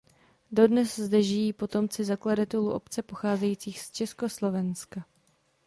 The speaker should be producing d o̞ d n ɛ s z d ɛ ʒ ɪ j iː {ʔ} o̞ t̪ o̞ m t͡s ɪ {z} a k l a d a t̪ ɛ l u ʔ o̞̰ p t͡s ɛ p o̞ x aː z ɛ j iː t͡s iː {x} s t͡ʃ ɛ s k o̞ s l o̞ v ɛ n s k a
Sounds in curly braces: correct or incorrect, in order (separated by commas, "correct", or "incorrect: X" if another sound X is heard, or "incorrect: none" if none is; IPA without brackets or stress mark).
incorrect: p, correct, correct